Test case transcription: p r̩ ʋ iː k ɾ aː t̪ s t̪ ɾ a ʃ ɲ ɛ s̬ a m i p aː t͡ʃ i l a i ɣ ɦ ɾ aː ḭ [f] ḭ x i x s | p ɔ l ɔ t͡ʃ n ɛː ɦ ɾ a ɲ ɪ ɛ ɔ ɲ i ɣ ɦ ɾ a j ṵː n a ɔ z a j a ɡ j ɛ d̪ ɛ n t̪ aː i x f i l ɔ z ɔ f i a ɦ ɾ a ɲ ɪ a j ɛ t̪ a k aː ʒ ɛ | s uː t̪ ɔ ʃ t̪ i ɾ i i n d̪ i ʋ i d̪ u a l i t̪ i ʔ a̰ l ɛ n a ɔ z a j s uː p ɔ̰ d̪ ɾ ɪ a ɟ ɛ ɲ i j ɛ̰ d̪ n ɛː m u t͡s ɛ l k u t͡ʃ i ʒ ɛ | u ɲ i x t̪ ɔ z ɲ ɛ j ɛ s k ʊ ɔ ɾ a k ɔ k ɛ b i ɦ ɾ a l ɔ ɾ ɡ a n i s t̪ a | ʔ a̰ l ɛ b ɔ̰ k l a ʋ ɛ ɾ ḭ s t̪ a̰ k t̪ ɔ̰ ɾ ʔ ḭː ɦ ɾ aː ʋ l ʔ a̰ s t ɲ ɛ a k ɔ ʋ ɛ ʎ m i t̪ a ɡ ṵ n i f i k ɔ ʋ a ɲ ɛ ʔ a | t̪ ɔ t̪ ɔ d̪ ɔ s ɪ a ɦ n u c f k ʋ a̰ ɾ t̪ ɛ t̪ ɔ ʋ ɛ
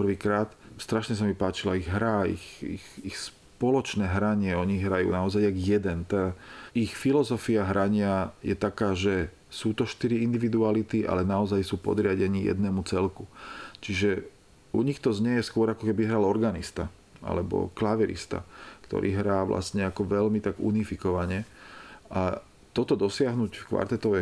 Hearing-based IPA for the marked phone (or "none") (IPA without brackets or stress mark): x